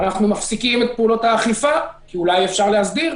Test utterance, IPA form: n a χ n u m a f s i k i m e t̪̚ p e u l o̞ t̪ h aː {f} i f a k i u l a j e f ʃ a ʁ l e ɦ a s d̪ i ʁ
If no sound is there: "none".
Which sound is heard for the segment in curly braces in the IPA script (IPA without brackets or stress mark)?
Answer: χ